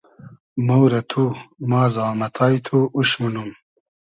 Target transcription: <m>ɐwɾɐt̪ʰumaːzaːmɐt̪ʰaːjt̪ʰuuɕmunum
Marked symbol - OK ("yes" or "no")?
yes